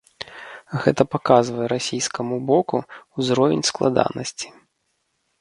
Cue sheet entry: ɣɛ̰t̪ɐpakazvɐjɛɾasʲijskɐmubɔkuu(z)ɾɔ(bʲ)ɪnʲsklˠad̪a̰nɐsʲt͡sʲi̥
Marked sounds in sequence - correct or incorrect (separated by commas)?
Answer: correct, incorrect